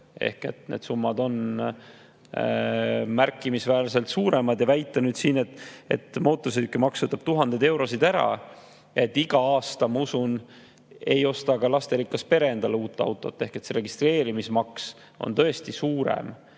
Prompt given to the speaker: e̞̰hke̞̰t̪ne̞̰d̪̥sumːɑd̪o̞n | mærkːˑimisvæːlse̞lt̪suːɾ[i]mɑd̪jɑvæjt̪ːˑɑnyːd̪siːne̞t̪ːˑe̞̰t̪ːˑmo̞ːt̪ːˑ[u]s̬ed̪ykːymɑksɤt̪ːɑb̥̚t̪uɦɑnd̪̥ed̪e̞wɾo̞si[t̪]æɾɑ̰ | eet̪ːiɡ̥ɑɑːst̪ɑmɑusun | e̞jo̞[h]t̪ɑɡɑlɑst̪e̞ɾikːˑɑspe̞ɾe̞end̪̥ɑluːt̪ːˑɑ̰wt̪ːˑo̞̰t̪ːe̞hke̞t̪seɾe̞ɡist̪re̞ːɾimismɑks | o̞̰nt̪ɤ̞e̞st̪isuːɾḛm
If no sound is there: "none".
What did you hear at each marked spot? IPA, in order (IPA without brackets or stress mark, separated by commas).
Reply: e, o, d̪, s